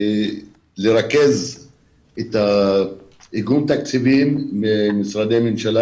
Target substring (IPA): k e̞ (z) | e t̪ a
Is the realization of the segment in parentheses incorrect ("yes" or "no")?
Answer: no